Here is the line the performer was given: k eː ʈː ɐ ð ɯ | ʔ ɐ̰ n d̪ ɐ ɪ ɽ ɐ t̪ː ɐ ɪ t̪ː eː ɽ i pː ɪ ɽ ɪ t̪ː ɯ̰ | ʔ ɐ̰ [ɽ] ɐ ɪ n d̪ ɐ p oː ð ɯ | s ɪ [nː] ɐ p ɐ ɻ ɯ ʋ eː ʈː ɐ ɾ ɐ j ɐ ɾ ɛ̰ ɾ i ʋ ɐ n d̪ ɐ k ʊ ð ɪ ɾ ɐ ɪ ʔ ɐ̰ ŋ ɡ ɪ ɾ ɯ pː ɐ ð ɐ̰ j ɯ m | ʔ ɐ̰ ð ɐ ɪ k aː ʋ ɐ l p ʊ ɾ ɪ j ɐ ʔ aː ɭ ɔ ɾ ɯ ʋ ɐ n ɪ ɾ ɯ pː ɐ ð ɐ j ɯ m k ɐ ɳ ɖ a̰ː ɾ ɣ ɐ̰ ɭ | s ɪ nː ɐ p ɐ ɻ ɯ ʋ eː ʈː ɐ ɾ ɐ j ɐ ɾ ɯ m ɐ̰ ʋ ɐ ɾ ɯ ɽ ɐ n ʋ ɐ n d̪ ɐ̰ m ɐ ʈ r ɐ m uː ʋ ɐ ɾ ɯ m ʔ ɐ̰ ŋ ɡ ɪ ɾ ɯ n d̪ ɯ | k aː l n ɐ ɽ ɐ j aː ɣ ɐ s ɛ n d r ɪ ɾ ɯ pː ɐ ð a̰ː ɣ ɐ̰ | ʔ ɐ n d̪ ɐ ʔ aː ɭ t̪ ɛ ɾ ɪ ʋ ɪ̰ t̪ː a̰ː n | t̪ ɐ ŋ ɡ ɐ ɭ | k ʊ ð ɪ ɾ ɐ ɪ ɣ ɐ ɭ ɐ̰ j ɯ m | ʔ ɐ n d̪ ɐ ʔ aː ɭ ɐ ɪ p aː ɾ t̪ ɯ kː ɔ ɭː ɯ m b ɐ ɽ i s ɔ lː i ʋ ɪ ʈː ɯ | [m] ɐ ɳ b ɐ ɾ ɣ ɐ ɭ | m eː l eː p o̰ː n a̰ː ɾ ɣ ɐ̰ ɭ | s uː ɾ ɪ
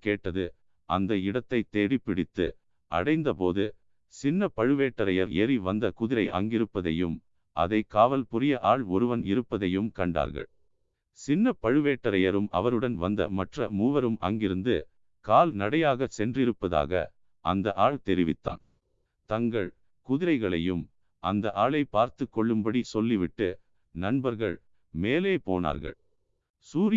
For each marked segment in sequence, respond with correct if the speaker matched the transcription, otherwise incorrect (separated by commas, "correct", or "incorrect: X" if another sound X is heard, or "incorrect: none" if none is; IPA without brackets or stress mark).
correct, correct, incorrect: n